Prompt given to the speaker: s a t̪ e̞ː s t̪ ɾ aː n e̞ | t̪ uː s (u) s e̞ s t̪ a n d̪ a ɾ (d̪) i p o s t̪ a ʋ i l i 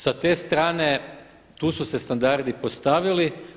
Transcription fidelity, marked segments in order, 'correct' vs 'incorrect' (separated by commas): correct, correct